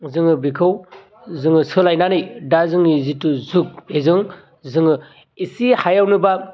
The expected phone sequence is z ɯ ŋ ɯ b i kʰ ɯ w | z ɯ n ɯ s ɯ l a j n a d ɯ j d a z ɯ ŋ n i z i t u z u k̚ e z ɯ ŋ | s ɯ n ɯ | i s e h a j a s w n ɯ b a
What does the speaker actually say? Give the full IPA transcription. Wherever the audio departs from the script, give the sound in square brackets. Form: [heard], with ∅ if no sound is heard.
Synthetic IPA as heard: z ɯ ŋ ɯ b i kʰ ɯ w | z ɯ [ŋ] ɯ s ɯ l a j n a [n] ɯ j d a z ɯ ŋ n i z i t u z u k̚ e z ɯ ŋ | [z] ɯ [ŋ] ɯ | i s [i] h a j a [∅] w n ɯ b a

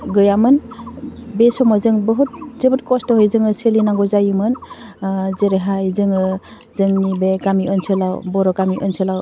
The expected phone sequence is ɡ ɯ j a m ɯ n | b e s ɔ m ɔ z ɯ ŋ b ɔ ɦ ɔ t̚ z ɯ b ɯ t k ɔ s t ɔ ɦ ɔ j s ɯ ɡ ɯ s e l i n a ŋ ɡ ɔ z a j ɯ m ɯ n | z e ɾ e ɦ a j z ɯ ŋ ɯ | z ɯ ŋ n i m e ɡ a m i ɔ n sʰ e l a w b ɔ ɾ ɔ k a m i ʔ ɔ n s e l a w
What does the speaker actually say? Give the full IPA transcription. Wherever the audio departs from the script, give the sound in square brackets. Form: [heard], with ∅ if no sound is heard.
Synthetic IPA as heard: ɡ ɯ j a m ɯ n | b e s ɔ m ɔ z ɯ ŋ b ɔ ɦ [u] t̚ z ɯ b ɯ t k ɔ s t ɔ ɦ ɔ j [z] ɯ [ŋ] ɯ s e l i n a ŋ ɡ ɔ z a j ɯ m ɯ n | z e ɾ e ɦ a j z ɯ ŋ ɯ | z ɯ ŋ n i [b] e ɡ a m i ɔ n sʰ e l a w b ɔ ɾ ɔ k a m i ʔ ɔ n s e l a w

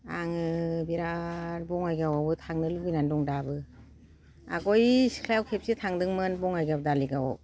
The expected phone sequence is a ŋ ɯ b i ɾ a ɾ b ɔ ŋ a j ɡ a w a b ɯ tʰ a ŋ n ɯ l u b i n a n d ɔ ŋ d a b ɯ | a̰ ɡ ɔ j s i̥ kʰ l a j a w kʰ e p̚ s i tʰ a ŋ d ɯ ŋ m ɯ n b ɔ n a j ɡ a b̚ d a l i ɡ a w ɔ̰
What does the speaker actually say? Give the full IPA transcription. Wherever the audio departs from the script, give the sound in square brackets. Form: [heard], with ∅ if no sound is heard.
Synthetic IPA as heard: a ŋ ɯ b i ɾ a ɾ b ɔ ŋ a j ɡ a w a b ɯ tʰ a ŋ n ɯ l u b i n a n d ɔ ŋ d a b ɯ | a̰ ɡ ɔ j s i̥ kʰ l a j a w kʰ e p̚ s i tʰ a ŋ d ɯ ŋ m ɯ n b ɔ [ŋ] a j ɡ a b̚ d a l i ɡ a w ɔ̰

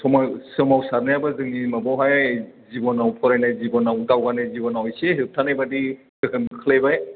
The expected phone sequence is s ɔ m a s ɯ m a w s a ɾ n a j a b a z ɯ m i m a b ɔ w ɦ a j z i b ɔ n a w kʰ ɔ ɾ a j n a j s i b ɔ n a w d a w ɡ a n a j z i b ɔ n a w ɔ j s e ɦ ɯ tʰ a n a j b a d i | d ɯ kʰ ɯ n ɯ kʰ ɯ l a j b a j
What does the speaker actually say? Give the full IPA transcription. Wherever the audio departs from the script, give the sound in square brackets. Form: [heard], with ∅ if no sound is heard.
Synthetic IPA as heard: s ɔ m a s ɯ m a w s a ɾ n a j a b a z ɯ [ŋ] i m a b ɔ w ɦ a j z i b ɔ n a w [pʰ] ɔ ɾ a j n a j [z] i b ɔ n a w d a w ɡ a n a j z i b ɔ n a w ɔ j s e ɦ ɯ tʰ a n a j b a d i | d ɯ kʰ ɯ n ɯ kʰ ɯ l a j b a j

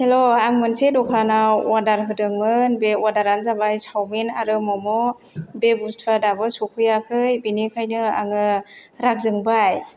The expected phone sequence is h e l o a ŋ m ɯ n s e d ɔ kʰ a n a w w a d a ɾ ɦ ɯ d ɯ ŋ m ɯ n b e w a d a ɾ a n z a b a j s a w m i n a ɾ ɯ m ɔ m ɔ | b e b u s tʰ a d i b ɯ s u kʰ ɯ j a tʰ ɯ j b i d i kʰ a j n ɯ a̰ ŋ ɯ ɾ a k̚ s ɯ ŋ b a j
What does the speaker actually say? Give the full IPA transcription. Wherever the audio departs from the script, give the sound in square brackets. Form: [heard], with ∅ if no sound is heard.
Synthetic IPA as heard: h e l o a ŋ m ɯ n s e d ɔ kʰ a n a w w a d a ɾ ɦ ɯ d ɯ ŋ m ɯ n b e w a d a ɾ a n z a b a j s a w m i n a ɾ ɯ m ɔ m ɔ | b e b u s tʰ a d [a] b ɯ s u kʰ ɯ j a [kʰ] ɯ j b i [n] i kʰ a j n ɯ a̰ ŋ ɯ ɾ a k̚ [z] ɯ ŋ b a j

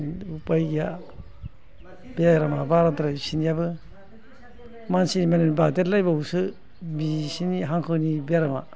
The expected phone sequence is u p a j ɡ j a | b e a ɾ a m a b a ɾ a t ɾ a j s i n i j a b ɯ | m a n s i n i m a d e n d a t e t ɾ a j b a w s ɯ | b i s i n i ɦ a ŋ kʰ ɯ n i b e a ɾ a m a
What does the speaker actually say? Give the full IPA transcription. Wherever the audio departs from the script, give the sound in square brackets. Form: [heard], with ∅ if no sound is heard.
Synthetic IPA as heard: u p a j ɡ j a | b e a ɾ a m a b a ɾ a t ɾ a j s i n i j a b ɯ | m a n s i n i m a [n] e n [b] a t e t [l] a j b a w s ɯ | b i s i n i ɦ a ŋ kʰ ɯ n i b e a ɾ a m a

